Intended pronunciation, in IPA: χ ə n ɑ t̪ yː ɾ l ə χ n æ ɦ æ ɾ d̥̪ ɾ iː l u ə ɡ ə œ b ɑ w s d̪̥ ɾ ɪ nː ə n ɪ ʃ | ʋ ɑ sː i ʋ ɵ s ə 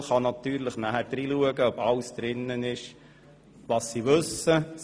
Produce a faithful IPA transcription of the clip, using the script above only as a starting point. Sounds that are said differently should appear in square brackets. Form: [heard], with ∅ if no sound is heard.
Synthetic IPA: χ [ɑ] n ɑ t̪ yː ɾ l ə χ n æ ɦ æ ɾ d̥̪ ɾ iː l u ə ɡ ə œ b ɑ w s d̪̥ ɾ ɪ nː ə n ɪ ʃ | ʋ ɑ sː i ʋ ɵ s ə